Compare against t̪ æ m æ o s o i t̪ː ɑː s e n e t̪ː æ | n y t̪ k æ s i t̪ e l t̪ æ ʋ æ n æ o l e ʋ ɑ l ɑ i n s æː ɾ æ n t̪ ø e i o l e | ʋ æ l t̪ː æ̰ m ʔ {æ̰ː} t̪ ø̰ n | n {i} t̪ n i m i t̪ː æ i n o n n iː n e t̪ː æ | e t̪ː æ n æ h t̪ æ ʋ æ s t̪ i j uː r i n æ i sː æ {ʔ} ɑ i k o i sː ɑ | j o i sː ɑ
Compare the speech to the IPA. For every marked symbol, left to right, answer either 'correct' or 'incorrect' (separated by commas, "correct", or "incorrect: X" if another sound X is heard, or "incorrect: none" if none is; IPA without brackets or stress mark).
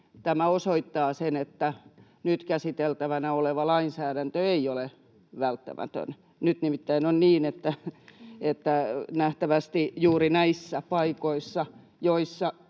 incorrect: æ̰, incorrect: y, incorrect: p